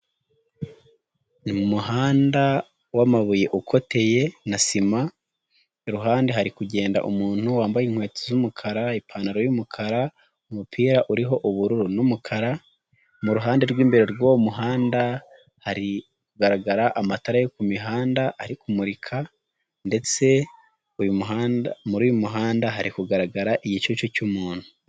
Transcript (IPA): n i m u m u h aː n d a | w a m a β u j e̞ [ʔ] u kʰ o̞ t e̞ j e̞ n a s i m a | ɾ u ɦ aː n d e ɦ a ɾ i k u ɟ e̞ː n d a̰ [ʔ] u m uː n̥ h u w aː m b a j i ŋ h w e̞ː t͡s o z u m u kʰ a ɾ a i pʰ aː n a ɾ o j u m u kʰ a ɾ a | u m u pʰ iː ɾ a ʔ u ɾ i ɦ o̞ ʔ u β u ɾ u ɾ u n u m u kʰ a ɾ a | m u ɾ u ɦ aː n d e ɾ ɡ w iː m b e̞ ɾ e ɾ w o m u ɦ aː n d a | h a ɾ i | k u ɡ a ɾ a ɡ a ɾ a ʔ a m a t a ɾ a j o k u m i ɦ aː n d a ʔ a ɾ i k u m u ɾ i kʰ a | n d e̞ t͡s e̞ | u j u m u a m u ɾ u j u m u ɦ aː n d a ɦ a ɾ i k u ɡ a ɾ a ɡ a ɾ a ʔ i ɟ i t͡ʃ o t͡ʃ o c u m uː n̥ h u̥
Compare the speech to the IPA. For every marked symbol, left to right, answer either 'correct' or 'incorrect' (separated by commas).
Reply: correct, correct